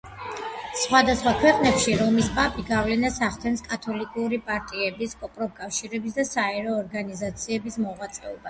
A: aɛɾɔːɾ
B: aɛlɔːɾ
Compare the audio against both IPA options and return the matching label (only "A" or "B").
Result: A